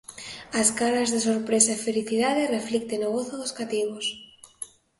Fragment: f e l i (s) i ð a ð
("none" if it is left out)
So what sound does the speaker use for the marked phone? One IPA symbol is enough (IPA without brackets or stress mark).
θ